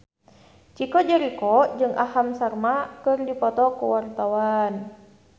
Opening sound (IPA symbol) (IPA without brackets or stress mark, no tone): t͡ʃ